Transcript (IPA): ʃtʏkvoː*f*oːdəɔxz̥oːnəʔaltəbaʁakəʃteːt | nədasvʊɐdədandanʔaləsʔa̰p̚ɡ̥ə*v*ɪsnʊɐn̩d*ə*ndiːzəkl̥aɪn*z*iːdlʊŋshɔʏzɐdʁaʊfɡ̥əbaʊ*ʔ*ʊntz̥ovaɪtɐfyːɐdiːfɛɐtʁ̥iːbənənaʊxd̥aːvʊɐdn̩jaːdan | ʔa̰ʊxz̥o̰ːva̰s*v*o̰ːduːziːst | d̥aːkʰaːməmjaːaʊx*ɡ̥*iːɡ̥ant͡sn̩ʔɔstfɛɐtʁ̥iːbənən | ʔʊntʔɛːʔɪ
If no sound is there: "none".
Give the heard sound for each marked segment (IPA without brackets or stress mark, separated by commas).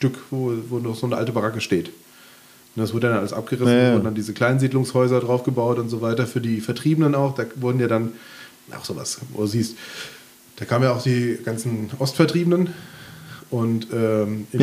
v, ʁ, a, z, t, v, d̥